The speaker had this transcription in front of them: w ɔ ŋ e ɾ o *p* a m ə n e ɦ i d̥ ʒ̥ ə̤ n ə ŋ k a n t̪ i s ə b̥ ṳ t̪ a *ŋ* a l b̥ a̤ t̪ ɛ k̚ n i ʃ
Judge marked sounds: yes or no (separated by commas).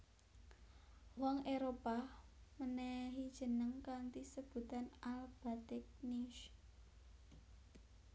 yes, no